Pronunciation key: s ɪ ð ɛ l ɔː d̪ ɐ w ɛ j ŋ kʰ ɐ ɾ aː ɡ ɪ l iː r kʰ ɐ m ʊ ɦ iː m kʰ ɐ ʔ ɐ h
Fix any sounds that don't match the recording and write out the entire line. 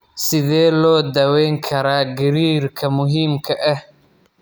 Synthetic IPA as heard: s ɪ ð ɛː l ɔː d̪ ɐ w ɛ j ŋ kʰ ɐ ɾ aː ɡ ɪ ɾ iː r kʰ ɐ m ʊ ɦ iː m kʰ ɐ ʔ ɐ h